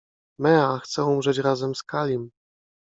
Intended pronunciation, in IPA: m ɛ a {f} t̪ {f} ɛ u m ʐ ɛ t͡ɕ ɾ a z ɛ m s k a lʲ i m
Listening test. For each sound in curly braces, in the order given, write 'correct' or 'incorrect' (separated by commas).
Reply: incorrect, incorrect